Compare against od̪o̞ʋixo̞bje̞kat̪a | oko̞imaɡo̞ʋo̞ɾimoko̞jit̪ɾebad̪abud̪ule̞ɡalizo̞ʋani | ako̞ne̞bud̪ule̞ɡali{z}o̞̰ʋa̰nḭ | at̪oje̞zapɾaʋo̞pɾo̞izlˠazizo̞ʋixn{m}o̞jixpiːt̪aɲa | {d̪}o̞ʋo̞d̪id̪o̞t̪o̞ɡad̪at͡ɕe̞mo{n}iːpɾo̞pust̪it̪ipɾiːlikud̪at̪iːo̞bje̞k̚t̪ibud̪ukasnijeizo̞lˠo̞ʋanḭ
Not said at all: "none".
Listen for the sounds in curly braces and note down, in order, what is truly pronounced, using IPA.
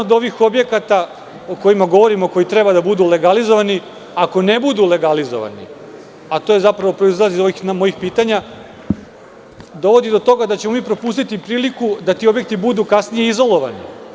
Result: z, m, d̪, m

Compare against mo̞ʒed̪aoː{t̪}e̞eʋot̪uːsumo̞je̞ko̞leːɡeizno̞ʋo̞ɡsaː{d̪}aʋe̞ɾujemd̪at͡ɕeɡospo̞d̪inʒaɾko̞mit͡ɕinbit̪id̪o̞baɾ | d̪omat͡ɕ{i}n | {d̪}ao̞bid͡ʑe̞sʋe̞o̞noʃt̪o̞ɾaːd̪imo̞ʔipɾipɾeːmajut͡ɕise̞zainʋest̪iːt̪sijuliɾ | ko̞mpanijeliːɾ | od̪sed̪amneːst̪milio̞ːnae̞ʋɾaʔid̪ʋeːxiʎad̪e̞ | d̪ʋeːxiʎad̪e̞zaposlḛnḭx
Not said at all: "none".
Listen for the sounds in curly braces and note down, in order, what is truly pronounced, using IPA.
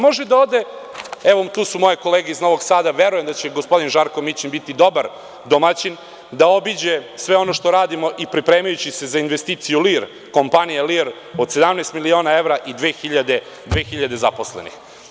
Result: d̪, d̪, i, d̪

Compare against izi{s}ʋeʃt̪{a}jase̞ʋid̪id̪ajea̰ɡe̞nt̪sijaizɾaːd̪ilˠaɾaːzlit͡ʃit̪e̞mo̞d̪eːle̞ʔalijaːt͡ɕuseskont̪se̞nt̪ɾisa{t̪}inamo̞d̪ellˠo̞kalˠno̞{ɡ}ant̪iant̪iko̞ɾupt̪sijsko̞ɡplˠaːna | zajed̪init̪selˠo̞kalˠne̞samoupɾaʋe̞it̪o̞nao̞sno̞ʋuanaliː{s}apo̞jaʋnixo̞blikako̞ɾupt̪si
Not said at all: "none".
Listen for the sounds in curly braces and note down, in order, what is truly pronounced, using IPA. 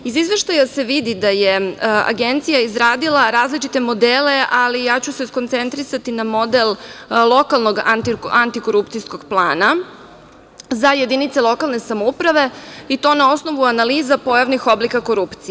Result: z, a, t̪, ɡ, z

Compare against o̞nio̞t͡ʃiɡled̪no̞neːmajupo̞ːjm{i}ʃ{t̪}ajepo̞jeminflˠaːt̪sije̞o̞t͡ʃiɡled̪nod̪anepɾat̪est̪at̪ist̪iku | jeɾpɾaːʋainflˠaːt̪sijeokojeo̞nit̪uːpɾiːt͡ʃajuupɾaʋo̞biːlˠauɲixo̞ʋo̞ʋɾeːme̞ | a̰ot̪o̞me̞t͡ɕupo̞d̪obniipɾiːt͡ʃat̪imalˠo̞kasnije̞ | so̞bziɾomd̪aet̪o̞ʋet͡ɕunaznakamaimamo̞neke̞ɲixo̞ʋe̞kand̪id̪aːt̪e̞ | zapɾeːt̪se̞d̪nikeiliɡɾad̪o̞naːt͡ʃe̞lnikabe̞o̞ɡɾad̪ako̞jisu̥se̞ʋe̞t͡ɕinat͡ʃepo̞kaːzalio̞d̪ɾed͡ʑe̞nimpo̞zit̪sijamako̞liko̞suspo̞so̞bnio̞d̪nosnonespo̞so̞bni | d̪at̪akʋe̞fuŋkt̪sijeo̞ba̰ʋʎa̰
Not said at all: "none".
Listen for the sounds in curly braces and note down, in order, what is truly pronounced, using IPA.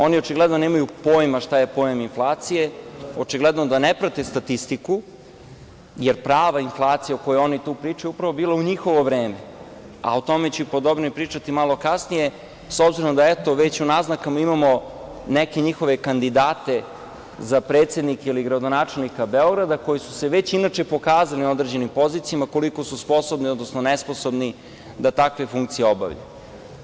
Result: a, t̪

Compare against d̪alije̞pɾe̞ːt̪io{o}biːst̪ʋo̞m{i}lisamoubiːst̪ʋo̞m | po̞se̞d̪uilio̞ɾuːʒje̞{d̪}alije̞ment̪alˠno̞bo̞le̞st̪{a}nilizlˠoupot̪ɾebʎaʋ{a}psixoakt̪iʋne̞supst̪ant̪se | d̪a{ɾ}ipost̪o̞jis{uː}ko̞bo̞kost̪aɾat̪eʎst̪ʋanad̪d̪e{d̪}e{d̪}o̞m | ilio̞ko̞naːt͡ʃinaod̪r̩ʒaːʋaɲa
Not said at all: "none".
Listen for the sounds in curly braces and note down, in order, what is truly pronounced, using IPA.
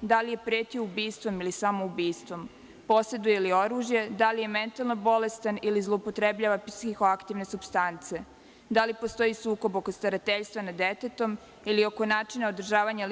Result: u, i, d̪, a, a, l, uː, t̪, t̪

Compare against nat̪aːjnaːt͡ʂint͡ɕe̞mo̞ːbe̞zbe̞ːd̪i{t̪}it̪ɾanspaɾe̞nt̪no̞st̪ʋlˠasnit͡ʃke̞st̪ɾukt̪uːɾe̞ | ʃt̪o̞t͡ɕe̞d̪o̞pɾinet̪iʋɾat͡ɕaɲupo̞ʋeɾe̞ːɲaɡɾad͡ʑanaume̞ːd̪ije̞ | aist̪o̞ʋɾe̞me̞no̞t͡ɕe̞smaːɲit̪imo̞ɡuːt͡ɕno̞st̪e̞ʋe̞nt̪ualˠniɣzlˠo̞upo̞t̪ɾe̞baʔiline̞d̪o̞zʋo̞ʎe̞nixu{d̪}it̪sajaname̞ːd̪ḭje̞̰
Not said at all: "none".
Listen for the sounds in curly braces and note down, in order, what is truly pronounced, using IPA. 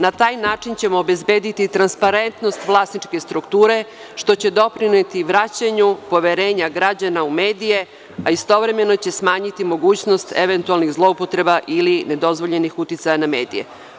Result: t̪, t̪

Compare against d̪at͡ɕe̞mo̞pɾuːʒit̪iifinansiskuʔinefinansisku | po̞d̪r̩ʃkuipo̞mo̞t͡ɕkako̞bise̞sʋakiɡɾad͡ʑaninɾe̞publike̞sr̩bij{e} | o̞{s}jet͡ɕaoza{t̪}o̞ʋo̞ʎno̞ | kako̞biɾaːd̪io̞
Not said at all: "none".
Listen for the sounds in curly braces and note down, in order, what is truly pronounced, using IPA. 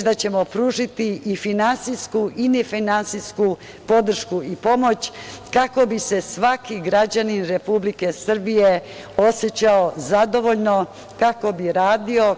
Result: e, s, d̪

